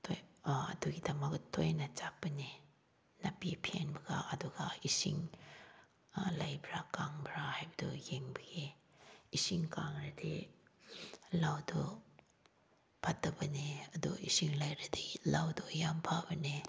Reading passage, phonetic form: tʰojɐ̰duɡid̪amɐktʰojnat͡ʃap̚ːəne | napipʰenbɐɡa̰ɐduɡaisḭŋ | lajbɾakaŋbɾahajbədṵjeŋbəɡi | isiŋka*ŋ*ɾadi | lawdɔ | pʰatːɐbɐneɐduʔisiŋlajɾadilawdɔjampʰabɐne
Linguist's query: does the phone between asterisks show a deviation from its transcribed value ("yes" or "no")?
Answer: no